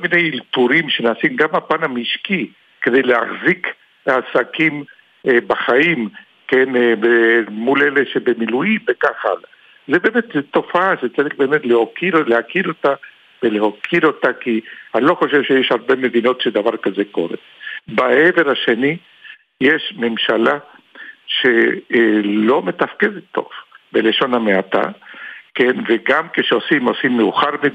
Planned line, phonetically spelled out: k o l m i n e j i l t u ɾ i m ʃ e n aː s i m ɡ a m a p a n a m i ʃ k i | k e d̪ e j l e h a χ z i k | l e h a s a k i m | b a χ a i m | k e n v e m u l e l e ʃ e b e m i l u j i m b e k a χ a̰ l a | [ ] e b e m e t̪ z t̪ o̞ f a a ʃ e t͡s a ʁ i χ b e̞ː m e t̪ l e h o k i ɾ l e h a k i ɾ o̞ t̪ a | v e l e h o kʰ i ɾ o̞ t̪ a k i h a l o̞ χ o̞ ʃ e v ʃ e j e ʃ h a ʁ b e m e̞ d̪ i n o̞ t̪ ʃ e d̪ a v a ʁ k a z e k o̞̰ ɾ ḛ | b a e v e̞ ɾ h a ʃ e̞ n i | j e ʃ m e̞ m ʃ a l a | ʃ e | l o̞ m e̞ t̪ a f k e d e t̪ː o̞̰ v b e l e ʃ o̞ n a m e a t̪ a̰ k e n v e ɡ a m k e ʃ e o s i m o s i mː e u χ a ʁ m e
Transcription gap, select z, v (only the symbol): z